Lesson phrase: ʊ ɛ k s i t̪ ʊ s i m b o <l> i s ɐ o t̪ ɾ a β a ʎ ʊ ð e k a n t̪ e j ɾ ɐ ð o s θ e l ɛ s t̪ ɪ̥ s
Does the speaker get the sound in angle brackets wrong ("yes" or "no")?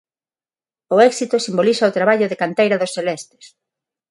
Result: no